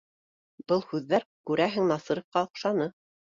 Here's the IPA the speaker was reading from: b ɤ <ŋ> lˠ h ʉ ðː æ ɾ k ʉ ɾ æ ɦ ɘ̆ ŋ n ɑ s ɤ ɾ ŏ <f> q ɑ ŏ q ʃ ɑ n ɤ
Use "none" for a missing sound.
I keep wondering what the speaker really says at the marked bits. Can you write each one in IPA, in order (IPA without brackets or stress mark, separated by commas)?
none, f